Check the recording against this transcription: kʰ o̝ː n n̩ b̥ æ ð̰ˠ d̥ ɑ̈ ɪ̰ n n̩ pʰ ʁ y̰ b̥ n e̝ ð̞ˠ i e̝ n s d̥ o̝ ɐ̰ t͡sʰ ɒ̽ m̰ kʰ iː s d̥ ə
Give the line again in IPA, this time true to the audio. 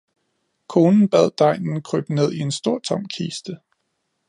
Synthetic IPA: kʰ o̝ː n n̩ b̥ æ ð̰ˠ d̥ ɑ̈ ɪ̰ n n̩ kʰ ʁ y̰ b̥ n e̝ ð̞ˠ i e̝ n s d̥ o̝ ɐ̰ t͡sʰ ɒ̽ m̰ kʰ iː s d̥ ə

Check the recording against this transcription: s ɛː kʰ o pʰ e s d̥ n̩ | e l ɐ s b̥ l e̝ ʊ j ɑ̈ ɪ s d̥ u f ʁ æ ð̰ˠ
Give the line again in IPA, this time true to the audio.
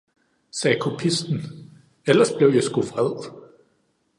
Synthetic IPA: s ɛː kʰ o pʰ i s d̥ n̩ | e l ɐ s b̥ l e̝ ʊ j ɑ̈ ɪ s ɡ̥ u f ʁ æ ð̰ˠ

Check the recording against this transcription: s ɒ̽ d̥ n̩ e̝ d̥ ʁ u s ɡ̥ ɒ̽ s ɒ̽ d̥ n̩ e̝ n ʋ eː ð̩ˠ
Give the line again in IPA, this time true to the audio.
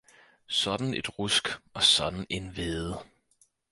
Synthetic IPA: s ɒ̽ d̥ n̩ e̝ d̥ ʁ u s ɡ̥ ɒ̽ s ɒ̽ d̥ n̩ e̝ n ʋ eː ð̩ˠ

